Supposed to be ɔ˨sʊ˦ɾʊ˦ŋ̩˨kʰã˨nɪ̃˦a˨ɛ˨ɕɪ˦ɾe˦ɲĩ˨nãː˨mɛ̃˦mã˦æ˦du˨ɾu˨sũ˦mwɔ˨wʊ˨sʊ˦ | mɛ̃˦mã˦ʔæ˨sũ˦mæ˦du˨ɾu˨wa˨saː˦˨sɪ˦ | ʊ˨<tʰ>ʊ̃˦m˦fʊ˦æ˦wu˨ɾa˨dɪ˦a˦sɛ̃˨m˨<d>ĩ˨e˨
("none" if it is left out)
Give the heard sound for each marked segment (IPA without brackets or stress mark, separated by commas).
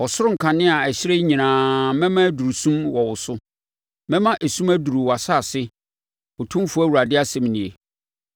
tʰ, n